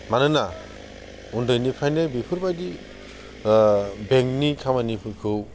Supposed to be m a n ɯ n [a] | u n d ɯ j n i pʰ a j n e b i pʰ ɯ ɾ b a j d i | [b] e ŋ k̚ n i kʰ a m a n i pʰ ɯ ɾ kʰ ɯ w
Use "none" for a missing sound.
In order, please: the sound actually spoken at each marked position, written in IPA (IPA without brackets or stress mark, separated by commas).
a, b